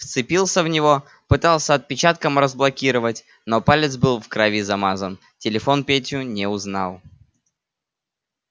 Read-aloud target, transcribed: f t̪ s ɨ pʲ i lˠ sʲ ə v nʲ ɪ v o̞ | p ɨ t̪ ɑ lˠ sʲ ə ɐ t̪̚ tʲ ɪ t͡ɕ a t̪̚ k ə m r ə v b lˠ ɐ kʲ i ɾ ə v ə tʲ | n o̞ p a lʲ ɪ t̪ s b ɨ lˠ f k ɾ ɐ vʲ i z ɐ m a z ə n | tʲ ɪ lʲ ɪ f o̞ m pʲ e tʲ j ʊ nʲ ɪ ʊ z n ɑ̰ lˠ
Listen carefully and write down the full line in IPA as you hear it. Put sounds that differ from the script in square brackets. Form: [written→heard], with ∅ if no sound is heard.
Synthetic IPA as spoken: f t̪ s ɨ pʲ i lˠ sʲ ə v nʲ ɪ v o̞ | p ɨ t̪ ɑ lˠ sʲ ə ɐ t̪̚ [tʲ→pʲ] ɪ t͡ɕ a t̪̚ k ə m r ə [v→z] b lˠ ɐ kʲ i ɾ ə v ə tʲ | n o̞ p a lʲ ɪ t̪ s b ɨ lˠ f k ɾ ɐ vʲ i z ɐ m a z ə n | tʲ ɪ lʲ ɪ f o̞ [m→n] pʲ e tʲ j ʊ nʲ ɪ ʊ z n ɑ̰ lˠ